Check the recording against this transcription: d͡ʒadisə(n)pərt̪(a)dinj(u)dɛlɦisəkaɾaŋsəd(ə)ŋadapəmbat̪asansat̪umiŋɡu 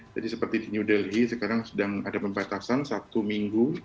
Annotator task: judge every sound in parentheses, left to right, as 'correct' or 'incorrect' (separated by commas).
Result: incorrect, incorrect, correct, incorrect